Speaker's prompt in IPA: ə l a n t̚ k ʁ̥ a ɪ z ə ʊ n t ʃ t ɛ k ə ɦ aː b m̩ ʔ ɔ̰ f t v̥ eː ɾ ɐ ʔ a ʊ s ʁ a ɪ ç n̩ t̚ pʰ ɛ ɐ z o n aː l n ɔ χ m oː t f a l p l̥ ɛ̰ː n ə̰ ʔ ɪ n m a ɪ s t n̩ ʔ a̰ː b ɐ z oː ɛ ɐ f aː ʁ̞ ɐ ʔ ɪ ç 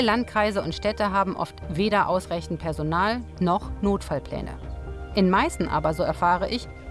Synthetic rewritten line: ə l a n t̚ k ʁ̥ a ɪ z ə ʊ n t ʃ t ɛ t ə ɦ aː b m̩ ʔ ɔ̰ f t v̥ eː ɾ ɐ ʔ a ʊ s ʁ a ɪ ç n̩ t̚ pʰ ɛ ɐ z o n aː l n ɔ χ n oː t f a l p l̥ ɛ̰ː n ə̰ ʔ ɪ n m a ɪ s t n̩ ʔ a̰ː b ɐ z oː ɛ ɐ f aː ʁ̞ ə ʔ ɪ ç